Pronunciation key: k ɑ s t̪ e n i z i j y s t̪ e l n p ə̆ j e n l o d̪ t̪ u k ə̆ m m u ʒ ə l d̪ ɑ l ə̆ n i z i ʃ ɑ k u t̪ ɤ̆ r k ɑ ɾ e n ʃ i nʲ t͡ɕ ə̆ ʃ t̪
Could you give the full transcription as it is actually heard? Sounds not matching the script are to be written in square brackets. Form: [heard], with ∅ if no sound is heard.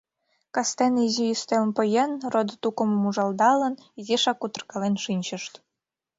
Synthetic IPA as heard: k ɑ s t̪ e n i z i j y s t̪ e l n p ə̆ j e n [r] o d̪ t̪ u k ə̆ m m u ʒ [ɑ] l d̪ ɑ l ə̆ n i z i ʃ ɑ k u t̪ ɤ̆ r k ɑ [l] e n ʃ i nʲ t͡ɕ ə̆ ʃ t̪